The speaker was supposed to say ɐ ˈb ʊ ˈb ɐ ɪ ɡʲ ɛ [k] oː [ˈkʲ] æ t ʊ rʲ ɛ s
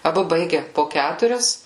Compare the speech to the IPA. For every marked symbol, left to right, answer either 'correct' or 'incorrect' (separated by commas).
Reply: incorrect, correct